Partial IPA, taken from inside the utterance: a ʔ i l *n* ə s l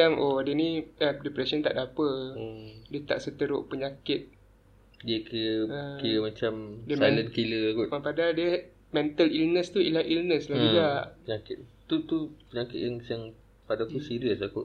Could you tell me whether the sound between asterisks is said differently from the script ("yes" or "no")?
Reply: no